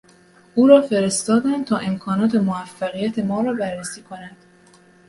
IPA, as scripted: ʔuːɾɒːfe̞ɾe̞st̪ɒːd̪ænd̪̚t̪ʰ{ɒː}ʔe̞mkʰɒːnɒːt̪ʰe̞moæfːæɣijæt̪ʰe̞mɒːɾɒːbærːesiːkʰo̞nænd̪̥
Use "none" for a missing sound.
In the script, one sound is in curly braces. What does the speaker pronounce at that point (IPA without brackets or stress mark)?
ɒː